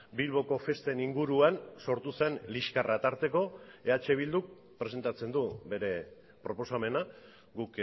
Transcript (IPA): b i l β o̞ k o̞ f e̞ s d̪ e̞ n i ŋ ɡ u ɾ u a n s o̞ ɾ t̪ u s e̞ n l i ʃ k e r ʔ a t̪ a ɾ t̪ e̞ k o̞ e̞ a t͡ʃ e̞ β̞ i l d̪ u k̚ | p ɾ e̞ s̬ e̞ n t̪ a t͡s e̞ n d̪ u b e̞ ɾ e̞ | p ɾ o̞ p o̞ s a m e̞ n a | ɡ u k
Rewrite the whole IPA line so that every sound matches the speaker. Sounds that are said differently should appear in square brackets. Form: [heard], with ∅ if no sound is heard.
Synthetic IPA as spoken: b i l β o̞ k o̞ f e̞ s [t̪] e̞ n i ŋ ɡ u ɾ u a n s o̞ ɾ t̪ u s e̞ n l i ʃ k [a] r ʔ a t̪ a ɾ t̪ e̞ k o̞ e̞ a t͡ʃ e̞ β̞ i l d̪ u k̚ | p ɾ e̞ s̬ e̞ n t̪ a t͡s e̞ n d̪ u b e̞ ɾ e̞ | p ɾ o̞ p o̞ s a m e̞ n a | ɡ u k

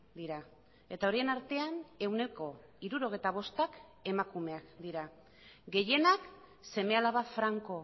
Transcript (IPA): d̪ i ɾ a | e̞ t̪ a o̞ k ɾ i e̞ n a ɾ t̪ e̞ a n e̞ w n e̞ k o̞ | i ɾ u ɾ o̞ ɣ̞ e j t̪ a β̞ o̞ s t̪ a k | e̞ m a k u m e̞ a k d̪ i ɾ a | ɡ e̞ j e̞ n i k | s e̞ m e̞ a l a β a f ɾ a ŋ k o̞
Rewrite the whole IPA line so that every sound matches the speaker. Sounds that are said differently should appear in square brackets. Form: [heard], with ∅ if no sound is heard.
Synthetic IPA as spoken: d̪ i ɾ a | e̞ t̪ a o̞ [∅] ɾ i e̞ n a ɾ t̪ e̞ a n e̞ w n e̞ k o̞ | i ɾ u ɾ o̞ ɣ̞ e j t̪ a β̞ o̞ s t̪ a k | e̞ m a k u m e̞ a k d̪ i ɾ a | ɡ e̞ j e̞ n [a] k | s e̞ m e̞ a l a β a f ɾ a ŋ k o̞

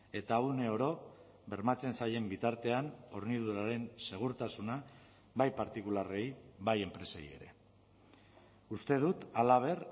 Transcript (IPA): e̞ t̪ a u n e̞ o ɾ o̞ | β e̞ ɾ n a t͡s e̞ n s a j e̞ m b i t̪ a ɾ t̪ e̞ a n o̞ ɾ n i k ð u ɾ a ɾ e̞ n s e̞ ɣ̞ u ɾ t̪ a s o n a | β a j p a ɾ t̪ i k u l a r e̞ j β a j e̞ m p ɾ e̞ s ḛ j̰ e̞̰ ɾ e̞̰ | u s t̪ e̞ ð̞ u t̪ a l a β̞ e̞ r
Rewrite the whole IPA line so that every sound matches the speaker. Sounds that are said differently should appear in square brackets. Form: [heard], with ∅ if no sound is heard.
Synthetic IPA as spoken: e̞ t̪ a u n e̞ o ɾ o̞ | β e̞ ɾ [m] a t͡s e̞ n s a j e̞ m b i t̪ a ɾ t̪ e̞ a n o̞ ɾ n i [∅] ð u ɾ a ɾ e̞ n s e̞ ɣ̞ u ɾ t̪ a s [u] n a | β a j p a ɾ t̪ i k u l a r e̞ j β a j e̞ m p ɾ e̞ s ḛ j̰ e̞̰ ɾ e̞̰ | u s t̪ e̞ ð̞ u t̪ a l a β̞ e̞ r

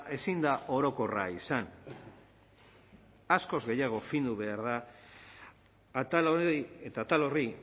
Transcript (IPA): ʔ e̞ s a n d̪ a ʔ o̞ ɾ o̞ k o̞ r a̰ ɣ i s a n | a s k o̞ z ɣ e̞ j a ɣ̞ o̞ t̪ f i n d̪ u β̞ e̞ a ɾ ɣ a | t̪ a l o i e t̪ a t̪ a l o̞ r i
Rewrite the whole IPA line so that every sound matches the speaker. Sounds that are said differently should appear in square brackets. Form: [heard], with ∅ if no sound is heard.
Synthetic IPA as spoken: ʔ e̞ s [i] n d̪ a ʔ o̞ ɾ o̞ k o̞ r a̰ [∅] i s a n | a s k o̞ z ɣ e̞ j a ɣ̞ o̞ [∅] f i n d̪ u β̞ e̞ a ɾ [ð] a | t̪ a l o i e t̪ a t̪ a l o̞ r i

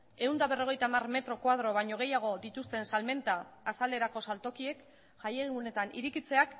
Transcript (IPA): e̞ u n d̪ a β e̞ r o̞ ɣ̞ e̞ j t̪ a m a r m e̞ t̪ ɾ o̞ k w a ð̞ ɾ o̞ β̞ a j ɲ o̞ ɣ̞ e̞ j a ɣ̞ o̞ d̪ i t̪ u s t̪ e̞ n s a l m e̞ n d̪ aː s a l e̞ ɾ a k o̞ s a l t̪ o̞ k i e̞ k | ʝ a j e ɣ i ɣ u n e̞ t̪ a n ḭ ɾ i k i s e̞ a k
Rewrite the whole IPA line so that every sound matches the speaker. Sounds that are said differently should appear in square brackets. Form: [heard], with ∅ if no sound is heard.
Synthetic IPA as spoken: e̞ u n d̪ a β e̞ r o̞ ɣ̞ e̞ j t̪ a m a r m e̞ t̪ ɾ o̞ k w a ð̞ ɾ o̞ β̞ a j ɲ o̞ ɣ̞ e̞ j a ɣ̞ o̞ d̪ i t̪ u s t̪ e̞ n s a l m e̞ n [t̪] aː s a l e̞ ɾ a k o̞ s a l t̪ o̞ k i e̞ k | ʝ a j e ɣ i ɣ u n e̞ t̪ a n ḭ ɾ i k i [t͡s] e̞ a k

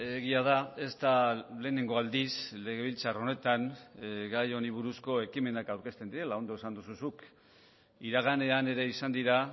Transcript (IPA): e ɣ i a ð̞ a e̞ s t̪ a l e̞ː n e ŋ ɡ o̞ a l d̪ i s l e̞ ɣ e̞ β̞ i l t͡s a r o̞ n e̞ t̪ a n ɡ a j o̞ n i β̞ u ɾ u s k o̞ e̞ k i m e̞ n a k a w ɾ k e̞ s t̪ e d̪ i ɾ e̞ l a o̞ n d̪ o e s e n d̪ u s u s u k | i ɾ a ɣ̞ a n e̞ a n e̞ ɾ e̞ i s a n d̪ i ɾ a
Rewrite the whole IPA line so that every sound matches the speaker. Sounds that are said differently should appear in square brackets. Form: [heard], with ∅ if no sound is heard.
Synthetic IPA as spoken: e ɣ i a ð̞ a e̞ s t̪ a l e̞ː n e ŋ ɡ o̞ a l d̪ i s l e̞ ɣ e̞ β̞ i l t͡s a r o̞ n e̞ t̪ a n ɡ a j o̞ n i β̞ u ɾ u s k o̞ e̞ k i m e̞ n a k a w ɾ k e̞ s t̪ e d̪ i ɾ e̞ l a o̞ n d̪ o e s [a] n d̪ u s u s u k | i ɾ a ɣ̞ a n e̞ a n e̞ ɾ e̞ i s a n d̪ i ɾ a

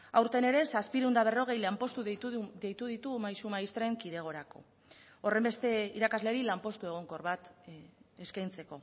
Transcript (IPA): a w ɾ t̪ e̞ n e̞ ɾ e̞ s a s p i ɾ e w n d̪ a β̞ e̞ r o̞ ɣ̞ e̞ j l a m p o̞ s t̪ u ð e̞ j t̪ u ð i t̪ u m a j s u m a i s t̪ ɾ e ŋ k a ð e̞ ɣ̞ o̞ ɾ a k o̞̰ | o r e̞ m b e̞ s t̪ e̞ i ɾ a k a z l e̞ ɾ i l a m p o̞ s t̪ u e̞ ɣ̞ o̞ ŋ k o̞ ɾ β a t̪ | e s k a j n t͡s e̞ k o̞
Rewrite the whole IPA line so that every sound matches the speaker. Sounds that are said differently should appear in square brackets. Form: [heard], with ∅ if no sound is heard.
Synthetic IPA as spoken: a w ɾ t̪ e̞ n e̞ ɾ e̞ s a s p i ɾ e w n d̪ a β̞ e̞ r o̞ ɣ̞ e̞ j l a m p o̞ s t̪ u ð e̞ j t̪ u ð i t̪ u m a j s u m a i s t̪ ɾ e ŋ k [i] ð e̞ ɣ̞ o̞ ɾ a k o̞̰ | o r e̞ m b e̞ s t̪ e̞ i ɾ a k a z l e̞ ɾ i l a m p o̞ s t̪ u e̞ ɣ̞ o̞ ŋ k o̞ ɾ β a t̪ | e s k a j n t͡s e̞ k o̞

